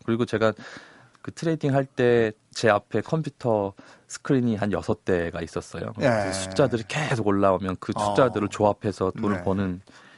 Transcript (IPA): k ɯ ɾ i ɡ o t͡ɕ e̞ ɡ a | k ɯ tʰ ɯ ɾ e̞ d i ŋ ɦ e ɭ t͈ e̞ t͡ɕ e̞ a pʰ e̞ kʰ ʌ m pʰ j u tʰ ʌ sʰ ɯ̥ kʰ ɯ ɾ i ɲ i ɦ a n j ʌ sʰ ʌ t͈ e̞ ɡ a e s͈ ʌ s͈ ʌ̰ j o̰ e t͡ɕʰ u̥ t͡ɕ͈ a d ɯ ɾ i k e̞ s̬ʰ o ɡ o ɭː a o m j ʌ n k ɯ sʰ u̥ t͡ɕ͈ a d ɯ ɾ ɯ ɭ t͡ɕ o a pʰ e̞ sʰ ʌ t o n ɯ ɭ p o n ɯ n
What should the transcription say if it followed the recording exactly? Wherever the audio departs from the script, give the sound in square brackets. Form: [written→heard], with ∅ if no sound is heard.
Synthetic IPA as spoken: k ɯ ɾ i ɡ o t͡ɕ e̞ ɡ a | k ɯ tʰ ɯ ɾ e̞ d i ŋ ɦ [e→a] ɭ t͈ e̞ t͡ɕ e̞ a pʰ e̞ kʰ ʌ m pʰ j u tʰ ʌ sʰ ɯ̥ kʰ ɯ ɾ i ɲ i ɦ a n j ʌ sʰ ʌ t͈ e̞ ɡ a [e→i] s͈ ʌ s͈ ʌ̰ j o̰ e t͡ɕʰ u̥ t͡ɕ͈ a d ɯ ɾ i k e̞ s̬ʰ o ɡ o ɭː a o m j ʌ n k ɯ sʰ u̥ t͡ɕ͈ a d ɯ ɾ ɯ ɭ t͡ɕ o a pʰ e̞ sʰ ʌ t o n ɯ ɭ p o n ɯ n